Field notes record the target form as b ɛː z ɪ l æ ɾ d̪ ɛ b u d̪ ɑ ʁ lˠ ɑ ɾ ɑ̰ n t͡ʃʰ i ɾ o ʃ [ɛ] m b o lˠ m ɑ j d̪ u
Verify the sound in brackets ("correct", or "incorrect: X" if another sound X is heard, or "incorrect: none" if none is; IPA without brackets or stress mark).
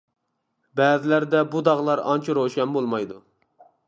correct